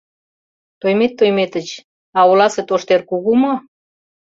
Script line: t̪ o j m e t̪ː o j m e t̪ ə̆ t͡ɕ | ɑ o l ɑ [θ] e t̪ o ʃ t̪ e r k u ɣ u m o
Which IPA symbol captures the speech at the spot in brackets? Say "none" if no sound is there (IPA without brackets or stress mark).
s